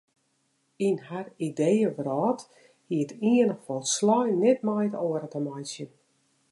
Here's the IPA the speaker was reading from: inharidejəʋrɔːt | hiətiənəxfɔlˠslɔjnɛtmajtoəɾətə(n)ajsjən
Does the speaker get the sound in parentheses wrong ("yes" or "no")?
yes